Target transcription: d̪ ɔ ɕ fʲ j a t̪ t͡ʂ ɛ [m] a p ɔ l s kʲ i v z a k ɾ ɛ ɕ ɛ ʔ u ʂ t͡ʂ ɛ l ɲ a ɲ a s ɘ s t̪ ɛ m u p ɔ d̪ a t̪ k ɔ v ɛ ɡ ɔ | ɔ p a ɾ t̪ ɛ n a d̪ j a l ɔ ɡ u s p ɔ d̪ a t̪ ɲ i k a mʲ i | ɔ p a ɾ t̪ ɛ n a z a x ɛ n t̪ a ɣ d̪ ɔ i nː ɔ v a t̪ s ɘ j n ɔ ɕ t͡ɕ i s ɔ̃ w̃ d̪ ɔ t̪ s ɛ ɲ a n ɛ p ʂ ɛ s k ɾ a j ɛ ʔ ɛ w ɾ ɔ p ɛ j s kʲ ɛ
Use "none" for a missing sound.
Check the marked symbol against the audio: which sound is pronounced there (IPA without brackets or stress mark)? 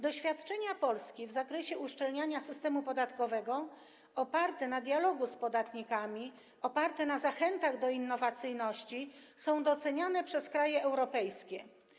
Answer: ɲ